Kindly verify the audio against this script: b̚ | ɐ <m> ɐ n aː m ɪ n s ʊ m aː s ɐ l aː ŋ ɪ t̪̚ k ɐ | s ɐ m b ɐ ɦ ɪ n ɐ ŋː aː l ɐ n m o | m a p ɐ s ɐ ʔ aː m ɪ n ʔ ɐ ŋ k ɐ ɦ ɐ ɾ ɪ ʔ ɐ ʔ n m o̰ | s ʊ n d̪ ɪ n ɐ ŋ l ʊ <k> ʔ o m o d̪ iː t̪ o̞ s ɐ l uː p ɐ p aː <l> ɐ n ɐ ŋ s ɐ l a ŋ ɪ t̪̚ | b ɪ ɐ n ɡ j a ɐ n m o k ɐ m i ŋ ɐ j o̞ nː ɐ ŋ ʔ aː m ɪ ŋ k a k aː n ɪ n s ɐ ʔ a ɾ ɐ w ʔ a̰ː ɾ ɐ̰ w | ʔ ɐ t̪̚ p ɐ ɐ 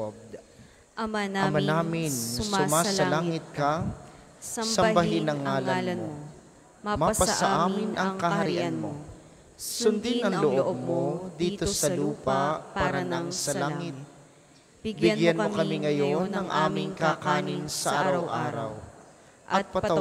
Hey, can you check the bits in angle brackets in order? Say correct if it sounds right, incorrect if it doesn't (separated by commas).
correct, incorrect, incorrect